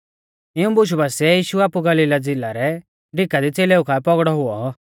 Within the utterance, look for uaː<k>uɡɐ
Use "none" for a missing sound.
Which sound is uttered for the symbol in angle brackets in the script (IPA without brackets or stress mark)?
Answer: p